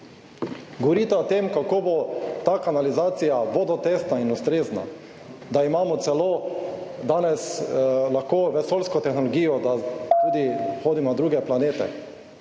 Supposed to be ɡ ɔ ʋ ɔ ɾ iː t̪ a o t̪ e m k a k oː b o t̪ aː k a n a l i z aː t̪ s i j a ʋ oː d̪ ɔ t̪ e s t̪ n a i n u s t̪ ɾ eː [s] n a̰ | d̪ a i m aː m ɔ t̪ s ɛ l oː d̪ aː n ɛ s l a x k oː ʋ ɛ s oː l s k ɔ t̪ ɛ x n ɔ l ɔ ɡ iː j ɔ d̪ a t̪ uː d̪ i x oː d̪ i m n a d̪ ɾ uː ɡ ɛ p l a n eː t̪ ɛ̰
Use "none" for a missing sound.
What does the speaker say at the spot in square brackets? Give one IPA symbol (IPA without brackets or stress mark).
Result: z